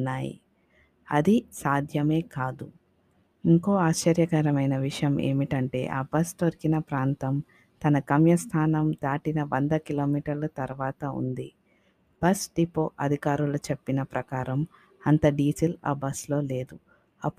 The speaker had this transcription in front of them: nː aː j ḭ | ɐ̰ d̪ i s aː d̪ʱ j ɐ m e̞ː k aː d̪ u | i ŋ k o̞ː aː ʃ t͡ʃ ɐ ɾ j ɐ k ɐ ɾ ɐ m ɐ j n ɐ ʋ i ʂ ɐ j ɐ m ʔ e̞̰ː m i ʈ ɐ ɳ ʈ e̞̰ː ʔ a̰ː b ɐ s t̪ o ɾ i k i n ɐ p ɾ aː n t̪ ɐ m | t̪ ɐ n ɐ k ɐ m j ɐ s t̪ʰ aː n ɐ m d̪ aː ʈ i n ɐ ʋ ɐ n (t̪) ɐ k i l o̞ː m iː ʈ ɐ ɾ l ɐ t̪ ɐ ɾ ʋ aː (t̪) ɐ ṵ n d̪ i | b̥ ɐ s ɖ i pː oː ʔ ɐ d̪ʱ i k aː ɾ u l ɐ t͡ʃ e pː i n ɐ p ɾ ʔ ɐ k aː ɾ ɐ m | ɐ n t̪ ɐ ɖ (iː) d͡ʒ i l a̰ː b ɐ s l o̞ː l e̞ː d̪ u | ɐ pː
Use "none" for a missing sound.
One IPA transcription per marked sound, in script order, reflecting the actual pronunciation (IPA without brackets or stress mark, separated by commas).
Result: d̪, t̪, iː